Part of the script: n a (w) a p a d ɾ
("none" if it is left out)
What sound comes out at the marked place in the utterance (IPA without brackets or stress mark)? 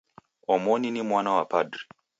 w